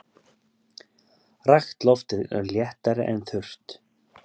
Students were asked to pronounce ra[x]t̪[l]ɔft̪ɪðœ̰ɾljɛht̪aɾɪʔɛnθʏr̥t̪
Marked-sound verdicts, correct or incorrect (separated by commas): correct, correct